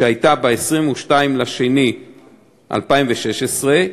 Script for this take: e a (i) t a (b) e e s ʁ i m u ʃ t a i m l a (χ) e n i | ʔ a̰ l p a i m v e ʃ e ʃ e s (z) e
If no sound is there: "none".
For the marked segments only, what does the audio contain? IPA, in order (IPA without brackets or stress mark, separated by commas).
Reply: j, b, ʃ, ʁ